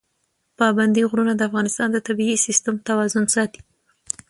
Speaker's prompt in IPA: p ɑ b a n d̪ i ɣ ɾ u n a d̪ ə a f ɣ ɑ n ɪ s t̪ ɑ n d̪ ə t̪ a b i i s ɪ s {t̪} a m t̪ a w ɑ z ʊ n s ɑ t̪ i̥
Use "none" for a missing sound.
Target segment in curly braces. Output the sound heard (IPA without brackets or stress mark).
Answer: t̪